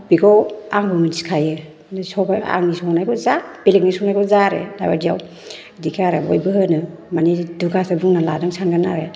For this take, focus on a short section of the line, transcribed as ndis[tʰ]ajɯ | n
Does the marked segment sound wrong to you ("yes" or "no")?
yes